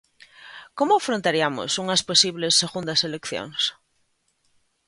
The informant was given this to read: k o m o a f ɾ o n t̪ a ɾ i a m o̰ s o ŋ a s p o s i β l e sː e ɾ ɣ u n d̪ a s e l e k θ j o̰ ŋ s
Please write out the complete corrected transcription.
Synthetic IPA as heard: k o m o a f ɾ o n t̪ a ɾ i a m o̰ s u ŋ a s p o s i β l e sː e ɣ u n d̪ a s e l e k θ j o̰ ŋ s